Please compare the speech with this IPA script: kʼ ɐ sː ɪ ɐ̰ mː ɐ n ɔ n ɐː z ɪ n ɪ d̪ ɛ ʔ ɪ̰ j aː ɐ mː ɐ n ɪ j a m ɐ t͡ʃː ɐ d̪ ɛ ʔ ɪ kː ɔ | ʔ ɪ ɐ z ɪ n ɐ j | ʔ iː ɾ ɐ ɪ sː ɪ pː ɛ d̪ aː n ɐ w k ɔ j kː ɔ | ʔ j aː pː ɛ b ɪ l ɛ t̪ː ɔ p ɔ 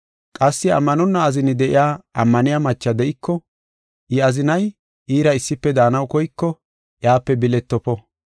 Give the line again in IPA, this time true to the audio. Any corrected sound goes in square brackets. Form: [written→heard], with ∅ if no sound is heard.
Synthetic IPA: kʼ ɐ sː ɪ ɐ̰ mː ɐ n ɔ [n→nː] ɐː z ɪ n ɪ d̪ ɛ ʔ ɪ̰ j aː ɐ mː ɐ n ɪ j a m ɐ t͡ʃː ɐ d̪ ɛ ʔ ɪ kː ɔ | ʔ ɪ ɐ z ɪ n ɐ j | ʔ iː ɾ ɐ ɪ sː ɪ pː ɛ d̪ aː n ɐ w k ɔ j kː ɔ | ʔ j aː pː ɛ b ɪ l ɛ t̪ː ɔ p ɔ

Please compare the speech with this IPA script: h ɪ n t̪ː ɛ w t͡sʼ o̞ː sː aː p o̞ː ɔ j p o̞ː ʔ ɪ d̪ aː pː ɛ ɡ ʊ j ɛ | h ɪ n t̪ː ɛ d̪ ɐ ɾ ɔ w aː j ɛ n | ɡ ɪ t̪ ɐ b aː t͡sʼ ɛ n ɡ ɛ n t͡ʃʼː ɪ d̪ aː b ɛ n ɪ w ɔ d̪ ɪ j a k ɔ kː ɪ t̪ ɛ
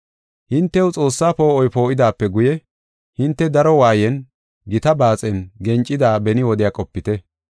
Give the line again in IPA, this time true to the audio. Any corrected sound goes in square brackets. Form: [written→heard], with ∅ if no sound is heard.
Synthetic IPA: h ɪ n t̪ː ɛ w t͡sʼ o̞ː sː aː p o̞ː ɔ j p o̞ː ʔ ɪ d̪ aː pː ɛ ɡ ʊ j ɛ | h ɪ n t̪ː ɛ d̪ ɐ ɾ ɔ w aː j ɛ n | ɡ ɪ t̪ ɐ b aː t͡sʼ ɛ n ɡ ɛ n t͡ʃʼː ɪ d̪ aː b ɛ n ɪ w ɔ d̪ ɪ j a [k→kʼ] ɔ [kː→pː] ɪ t̪ ɛ

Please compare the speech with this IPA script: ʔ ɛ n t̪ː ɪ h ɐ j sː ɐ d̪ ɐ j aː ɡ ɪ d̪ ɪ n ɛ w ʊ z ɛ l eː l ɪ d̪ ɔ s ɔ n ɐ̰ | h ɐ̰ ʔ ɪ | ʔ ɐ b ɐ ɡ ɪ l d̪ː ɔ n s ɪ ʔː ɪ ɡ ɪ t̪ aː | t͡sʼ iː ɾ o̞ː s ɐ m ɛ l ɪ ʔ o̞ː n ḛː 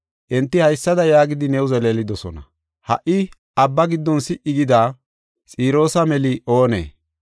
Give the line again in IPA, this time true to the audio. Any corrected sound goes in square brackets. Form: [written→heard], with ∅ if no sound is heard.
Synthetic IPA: ʔ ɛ n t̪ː ɪ h ɐ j sː ɐ d̪ ɐ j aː ɡ ɪ d̪ ɪ n ɛ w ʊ z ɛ l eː l ɪ d̪ ɔ s ɔ n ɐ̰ | h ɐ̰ ʔ ɪ | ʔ ɐ [b→bː] ɐ ɡ ɪ [l→∅] d̪ː ɔ n s ɪ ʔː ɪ ɡ ɪ [t̪→d̪] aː | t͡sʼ iː ɾ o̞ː s ɐ m ɛ l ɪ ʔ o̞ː n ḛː

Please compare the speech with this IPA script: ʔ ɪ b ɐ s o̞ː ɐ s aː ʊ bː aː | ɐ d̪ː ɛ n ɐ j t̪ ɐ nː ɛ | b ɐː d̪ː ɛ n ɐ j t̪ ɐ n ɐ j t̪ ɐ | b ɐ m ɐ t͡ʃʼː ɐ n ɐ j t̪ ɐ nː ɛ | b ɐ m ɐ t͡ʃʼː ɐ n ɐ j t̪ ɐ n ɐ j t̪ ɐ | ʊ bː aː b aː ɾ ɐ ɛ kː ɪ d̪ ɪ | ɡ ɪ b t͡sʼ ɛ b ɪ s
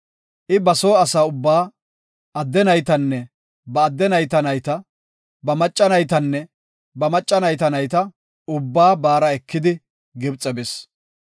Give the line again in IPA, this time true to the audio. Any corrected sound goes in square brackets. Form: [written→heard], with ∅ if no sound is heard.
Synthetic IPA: ʔ ɪ b ɐ s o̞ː ɐ s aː ʊ bː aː | ɐ d̪ː ɛ n ɐ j t̪ ɐ nː ɛ | b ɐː d̪ː ɛ n ɐ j t̪ ɐ n ɐ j t̪ ɐ | b ɐ m ɐ t͡ʃʼː ɐ n ɐ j t̪ ɐ nː ɛ | b ɐ m ɐ t͡ʃʼː ɐ n ɐ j t̪ ɐ n ɐ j t̪ ɐ | ʊ bː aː b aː ɾ ɐ ɛ kː ɪ d̪ ɪ | ɡ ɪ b t͡sʼ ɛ b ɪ s

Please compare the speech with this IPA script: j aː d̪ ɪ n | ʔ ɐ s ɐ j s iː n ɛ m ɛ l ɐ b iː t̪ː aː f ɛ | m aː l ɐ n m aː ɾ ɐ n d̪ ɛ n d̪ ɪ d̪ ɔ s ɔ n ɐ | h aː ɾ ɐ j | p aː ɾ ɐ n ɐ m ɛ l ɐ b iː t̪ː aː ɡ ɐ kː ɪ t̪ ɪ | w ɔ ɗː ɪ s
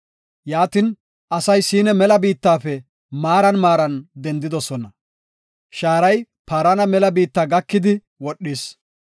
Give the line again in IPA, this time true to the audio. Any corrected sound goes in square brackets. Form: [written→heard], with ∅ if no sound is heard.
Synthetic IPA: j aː [d̪→t̪] ɪ n | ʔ ɐ s ɐ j s iː n ɛ m ɛ l ɐ b iː t̪ː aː f ɛ | m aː [l→ɾ] ɐ n m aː ɾ ɐ n d̪ ɛ n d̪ ɪ d̪ ɔ s ɔ n ɐ | [h→ʃ] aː ɾ ɐ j | p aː ɾ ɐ n ɐ m ɛ l ɐ b iː t̪ː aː ɡ ɐ kː ɪ [t̪→d̪] ɪ | w ɔ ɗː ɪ s

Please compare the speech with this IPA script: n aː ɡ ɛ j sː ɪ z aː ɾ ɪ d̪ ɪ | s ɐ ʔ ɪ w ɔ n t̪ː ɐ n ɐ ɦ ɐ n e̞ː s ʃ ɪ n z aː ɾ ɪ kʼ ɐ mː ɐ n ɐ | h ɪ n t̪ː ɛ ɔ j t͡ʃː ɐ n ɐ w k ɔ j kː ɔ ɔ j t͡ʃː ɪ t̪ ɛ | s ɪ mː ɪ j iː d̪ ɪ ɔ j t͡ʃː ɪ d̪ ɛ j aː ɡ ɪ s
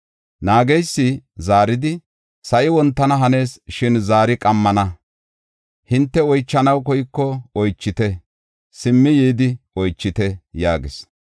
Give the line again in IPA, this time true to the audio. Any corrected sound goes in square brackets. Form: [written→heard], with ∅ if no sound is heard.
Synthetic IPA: n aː ɡ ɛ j sː ɪ z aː ɾ ɪ d̪ ɪ | s ɐ ʔ ɪ w ɔ n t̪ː ɐ n ɐ ɦ ɐ n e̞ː s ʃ ɪ n z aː ɾ ɪ kʼ ɐ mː ɐ n ɐ | h ɪ n t̪ː ɛ ɔ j t͡ʃː ɐ n ɐ w k ɔ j kː ɔ ɔ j t͡ʃː ɪ t̪ ɛ | s ɪ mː ɪ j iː d̪ ɪ ɔ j t͡ʃː ɪ [d̪→t̪] ɛ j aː ɡ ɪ s

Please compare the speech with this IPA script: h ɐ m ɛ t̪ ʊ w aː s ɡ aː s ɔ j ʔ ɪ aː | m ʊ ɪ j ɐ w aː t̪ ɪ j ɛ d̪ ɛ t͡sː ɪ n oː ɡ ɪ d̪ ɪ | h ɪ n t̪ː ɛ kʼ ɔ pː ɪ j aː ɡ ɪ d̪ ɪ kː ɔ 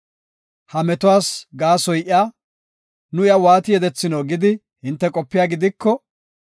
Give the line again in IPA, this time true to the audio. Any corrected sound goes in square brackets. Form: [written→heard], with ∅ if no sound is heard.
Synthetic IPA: h ɐ m ɛ t̪ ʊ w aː s ɡ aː s ɔ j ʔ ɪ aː | [m→n] ʊ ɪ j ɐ w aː t̪ ɪ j ɛ d̪ ɛ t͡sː ɪ n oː ɡ ɪ d̪ ɪ | h ɪ n t̪ː ɛ kʼ ɔ pː ɪ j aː ɡ ɪ d̪ ɪ kː ɔ

